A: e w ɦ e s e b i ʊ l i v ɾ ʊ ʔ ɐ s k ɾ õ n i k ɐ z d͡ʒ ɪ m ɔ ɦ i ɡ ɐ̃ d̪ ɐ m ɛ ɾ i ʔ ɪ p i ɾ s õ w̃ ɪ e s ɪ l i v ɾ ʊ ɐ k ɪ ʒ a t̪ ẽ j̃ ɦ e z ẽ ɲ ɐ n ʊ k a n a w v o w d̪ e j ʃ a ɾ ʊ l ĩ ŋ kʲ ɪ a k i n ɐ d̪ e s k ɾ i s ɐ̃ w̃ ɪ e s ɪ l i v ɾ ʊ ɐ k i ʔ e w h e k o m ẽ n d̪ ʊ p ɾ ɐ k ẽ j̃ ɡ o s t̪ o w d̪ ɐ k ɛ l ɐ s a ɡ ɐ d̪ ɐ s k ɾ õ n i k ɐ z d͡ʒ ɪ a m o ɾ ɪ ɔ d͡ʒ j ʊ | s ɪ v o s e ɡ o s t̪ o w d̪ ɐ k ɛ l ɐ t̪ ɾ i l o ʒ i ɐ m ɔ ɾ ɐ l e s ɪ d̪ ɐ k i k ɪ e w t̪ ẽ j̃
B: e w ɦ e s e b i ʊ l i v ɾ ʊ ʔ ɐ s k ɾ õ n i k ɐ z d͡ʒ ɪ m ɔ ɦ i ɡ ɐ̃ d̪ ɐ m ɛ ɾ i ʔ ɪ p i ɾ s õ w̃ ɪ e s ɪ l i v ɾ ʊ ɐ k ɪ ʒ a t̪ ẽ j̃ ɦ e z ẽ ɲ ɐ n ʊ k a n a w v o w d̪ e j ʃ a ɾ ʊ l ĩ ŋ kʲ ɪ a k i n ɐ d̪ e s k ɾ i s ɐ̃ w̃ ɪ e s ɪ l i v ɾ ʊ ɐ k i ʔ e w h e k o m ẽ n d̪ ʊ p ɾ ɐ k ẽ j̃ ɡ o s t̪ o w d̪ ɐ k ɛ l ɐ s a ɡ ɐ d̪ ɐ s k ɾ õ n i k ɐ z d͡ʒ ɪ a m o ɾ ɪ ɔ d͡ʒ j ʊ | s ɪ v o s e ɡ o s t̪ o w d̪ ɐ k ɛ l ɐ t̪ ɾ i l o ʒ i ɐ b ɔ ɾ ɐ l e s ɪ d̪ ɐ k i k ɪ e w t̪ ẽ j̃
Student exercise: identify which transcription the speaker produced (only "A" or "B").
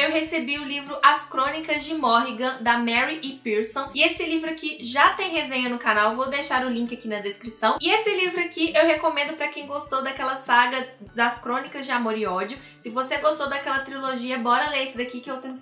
B